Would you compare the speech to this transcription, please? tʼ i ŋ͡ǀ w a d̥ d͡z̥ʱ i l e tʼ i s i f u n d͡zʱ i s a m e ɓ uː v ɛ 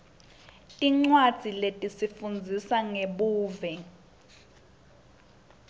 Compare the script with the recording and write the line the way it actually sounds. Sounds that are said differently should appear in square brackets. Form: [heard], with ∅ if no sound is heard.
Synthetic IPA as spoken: tʼ i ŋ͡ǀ w a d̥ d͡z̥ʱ i l e tʼ i s i f u n d͡zʱ i s a [ŋ] e ɓ uː v ɛ